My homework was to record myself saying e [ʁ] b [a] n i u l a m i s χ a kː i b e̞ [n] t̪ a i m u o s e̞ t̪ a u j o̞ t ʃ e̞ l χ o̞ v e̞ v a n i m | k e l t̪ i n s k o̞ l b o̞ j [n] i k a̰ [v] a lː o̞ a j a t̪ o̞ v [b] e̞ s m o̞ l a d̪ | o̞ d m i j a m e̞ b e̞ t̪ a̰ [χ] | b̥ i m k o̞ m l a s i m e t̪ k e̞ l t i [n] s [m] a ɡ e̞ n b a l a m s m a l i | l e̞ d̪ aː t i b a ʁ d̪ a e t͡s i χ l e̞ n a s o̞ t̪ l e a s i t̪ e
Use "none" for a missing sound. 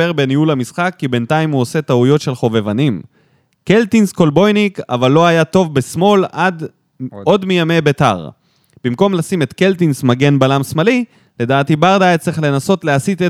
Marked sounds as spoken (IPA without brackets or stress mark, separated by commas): ʁ, e, n, n, v, b, ʁ, n, m